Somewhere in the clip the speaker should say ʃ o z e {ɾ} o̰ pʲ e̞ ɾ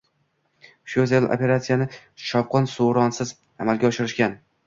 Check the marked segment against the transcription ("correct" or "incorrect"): incorrect